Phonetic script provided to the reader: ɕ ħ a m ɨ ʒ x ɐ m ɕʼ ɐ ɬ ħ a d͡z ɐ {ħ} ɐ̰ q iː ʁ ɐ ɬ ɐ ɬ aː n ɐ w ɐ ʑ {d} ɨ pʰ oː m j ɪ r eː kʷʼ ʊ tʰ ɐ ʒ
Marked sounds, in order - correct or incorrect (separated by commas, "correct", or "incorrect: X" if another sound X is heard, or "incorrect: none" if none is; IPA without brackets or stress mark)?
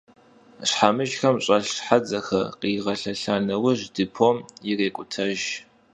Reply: incorrect: x, correct